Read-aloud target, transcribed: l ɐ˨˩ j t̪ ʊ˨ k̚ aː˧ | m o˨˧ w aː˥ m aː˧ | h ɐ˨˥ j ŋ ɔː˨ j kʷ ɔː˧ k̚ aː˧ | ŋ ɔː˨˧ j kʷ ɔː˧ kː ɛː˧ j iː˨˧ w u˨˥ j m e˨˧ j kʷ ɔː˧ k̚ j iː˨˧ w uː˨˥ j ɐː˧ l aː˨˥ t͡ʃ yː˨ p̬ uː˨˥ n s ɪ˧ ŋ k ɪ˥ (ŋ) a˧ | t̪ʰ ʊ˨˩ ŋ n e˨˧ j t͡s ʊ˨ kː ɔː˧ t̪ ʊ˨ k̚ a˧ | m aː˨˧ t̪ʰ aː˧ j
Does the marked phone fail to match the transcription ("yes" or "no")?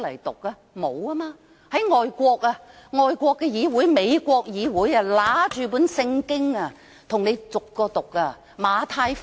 no